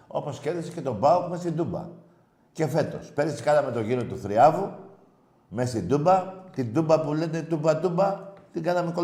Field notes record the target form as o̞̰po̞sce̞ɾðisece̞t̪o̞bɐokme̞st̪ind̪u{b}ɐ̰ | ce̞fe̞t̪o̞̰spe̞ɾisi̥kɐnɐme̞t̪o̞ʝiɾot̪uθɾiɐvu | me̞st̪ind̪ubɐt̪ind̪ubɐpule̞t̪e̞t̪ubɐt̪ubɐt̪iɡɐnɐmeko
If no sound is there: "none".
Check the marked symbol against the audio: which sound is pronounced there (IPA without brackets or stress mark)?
b